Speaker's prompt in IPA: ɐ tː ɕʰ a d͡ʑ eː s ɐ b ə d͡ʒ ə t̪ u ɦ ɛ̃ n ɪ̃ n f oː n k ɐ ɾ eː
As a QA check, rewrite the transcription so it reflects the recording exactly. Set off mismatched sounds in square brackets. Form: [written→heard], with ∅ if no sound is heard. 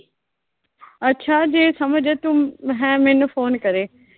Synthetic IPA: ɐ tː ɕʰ a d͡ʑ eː s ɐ [b→m] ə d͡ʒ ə t̪ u ɦ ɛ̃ [n→m] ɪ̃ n f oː n k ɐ ɾ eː